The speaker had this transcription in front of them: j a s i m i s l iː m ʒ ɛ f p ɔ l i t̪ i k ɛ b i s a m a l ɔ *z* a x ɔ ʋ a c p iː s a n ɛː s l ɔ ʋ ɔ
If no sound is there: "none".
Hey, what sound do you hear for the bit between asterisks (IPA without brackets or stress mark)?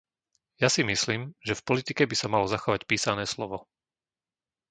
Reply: z